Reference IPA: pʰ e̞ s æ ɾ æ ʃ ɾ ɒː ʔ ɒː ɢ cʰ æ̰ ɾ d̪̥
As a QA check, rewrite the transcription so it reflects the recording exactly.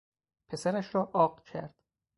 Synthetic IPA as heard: pʰ e̞ s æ ɾ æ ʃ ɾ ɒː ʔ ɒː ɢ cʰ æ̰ ɾ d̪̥